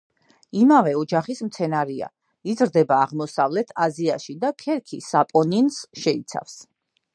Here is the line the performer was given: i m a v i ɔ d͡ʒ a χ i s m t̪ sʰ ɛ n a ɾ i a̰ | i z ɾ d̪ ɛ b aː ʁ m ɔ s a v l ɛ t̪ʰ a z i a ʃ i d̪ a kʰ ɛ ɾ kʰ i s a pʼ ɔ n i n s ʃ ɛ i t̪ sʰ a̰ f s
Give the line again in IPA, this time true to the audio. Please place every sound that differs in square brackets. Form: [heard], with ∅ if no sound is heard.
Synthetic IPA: i m a v [ɛ] ɔ d͡ʒ a χ i s m t̪ sʰ ɛ n a ɾ i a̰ | i z ɾ d̪ ɛ b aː ʁ m ɔ s a v l ɛ t̪ʰ a z i a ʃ i d̪ a kʰ ɛ ɾ kʰ i s a pʼ ɔ n i n s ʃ ɛ i t̪ sʰ a̰ f s

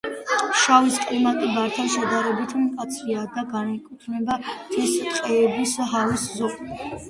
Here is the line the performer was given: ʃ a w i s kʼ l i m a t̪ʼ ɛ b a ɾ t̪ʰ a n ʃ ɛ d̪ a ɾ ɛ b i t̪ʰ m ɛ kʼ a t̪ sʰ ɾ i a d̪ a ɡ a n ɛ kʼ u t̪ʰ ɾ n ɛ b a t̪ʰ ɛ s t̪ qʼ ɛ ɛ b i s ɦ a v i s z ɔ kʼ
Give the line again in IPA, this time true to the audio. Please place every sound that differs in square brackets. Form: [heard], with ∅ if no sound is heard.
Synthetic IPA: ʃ a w i s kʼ l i m a t̪ʼ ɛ b a ɾ t̪ʰ a n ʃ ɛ d̪ a ɾ ɛ b i t̪ʰ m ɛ kʼ a t̪ sʰ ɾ i a d̪ a ɡ a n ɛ kʼ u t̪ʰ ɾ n ɛ b a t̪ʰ ɛ s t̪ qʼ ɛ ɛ b i s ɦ a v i s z ɔ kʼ

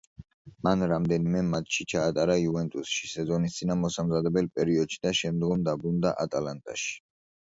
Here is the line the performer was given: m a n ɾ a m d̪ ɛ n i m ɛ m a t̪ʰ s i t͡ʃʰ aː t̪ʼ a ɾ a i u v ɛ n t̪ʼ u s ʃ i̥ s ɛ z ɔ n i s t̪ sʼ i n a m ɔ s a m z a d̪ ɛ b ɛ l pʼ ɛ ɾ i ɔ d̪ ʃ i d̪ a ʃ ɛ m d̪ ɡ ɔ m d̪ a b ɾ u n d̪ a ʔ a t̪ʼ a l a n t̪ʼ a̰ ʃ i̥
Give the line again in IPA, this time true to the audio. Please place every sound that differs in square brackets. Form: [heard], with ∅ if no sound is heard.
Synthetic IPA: m a n ɾ a m d̪ ɛ n i m ɛ m a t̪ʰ [ʃ] i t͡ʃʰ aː t̪ʼ a ɾ a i u v ɛ n t̪ʼ u s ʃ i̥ s ɛ z ɔ n i s t̪ sʼ i n a m ɔ s a m z a d̪ ɛ b ɛ l pʼ ɛ ɾ i ɔ d̪ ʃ i d̪ a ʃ ɛ m d̪ ɡ ɔ m d̪ a b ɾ u n d̪ a ʔ a t̪ʼ a l a n t̪ʼ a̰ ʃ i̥

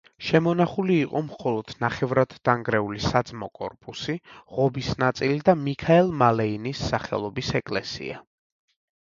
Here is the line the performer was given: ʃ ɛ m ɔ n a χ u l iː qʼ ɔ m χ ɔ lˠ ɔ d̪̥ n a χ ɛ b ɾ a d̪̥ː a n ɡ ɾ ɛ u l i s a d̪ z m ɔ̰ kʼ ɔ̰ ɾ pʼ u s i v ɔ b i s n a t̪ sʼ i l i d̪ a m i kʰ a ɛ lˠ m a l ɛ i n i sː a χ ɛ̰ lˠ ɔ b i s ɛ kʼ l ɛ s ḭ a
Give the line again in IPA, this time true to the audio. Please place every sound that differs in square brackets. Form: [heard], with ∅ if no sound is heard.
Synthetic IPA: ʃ ɛ m ɔ n a χ u l iː qʼ ɔ m χ ɔ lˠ ɔ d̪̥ n a χ ɛ [v] ɾ a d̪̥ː a [ŋ] ɡ ɾ ɛ u l i s a d̪ z m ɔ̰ kʼ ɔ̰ ɾ pʼ u s i [ʁ] ɔ b i s n a t̪ sʼ i l i d̪ a m i kʰ a ɛ lˠ m a l ɛ i n i sː a χ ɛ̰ lˠ ɔ b i s ɛ kʼ l ɛ s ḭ a

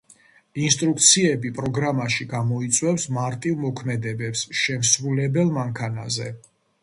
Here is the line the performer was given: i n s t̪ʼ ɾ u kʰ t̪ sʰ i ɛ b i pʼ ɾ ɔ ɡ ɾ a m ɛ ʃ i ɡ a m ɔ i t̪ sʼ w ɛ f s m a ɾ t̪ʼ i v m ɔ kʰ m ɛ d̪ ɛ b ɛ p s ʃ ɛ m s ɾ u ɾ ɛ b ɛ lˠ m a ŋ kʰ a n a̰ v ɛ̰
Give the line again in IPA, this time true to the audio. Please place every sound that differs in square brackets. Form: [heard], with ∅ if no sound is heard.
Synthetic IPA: i n s t̪ʼ ɾ u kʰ t̪ sʰ i ɛ b i pʼ ɾ ɔ ɡ ɾ a m [a] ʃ i ɡ a m ɔ i t̪ sʼ w ɛ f s m a ɾ t̪ʼ i v m ɔ kʰ m ɛ d̪ ɛ b ɛ p s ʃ ɛ m s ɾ u [l] ɛ b ɛ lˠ m a ŋ kʰ a n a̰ [z] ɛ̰

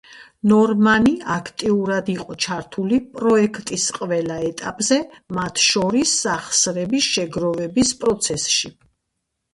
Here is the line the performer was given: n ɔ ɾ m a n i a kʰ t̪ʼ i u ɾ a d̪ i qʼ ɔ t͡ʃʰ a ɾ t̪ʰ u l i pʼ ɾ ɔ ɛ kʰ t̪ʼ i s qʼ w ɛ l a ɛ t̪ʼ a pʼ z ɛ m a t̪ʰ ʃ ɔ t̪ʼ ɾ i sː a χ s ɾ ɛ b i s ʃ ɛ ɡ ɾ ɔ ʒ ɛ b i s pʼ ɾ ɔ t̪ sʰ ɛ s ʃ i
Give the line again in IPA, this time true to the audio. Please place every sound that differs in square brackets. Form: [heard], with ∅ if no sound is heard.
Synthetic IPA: n ɔ ɾ m a n i a kʰ t̪ʼ i u ɾ a d̪ i qʼ ɔ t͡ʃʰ a ɾ t̪ʰ u l i pʼ ɾ ɔ ɛ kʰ t̪ʼ i s qʼ [v] ɛ l a ɛ t̪ʼ a pʼ z ɛ m a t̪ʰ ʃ ɔ [∅] ɾ i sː a χ s ɾ ɛ b i s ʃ ɛ ɡ ɾ ɔ [v] ɛ b i s pʼ ɾ ɔ t̪ sʰ ɛ s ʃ i

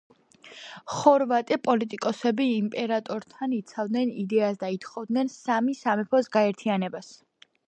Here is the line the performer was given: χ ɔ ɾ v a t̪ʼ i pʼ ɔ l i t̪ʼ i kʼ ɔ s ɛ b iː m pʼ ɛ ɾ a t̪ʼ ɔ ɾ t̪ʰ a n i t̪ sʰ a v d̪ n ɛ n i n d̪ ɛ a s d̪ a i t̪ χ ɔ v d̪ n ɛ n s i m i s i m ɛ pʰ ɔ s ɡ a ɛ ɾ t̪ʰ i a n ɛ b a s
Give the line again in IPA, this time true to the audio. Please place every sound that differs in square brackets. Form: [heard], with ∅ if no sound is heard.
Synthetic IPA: χ ɔ ɾ v a t̪ʼ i pʼ ɔ l i t̪ʼ i kʼ ɔ s ɛ b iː m pʼ ɛ ɾ a t̪ʼ ɔ ɾ t̪ʰ a n i t̪ sʰ a v d̪ n ɛ n i [∅] d̪ ɛ a s d̪ a i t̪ χ ɔ v d̪ n ɛ n s [a] m i s [a] m ɛ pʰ ɔ s ɡ a ɛ ɾ t̪ʰ i a n ɛ b a s

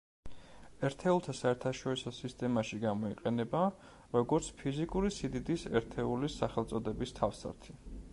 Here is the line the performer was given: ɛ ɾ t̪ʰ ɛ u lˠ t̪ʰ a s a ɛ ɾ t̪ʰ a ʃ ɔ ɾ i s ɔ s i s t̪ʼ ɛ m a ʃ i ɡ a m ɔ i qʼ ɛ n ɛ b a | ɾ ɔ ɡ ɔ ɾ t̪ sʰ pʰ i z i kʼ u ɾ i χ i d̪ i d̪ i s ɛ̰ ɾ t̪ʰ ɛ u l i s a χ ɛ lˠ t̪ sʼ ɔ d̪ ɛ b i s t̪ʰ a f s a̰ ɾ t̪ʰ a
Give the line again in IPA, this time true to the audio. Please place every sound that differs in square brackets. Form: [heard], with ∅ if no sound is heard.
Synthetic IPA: ɛ ɾ t̪ʰ ɛ u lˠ t̪ʰ a s a ɛ ɾ t̪ʰ a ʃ ɔ ɾ i s ɔ s i s t̪ʼ ɛ m a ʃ i ɡ a m ɔ i qʼ ɛ n ɛ b a | ɾ ɔ ɡ ɔ ɾ t̪ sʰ pʰ i z i kʼ u ɾ i [s] i d̪ i d̪ i s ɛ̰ ɾ t̪ʰ ɛ u l i s a χ ɛ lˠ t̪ sʼ ɔ d̪ ɛ b i s t̪ʰ a f s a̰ ɾ t̪ʰ [i]

